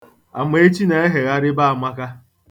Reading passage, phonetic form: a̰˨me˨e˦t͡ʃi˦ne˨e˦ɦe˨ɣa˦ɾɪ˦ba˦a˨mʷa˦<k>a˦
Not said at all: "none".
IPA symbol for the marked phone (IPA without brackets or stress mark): k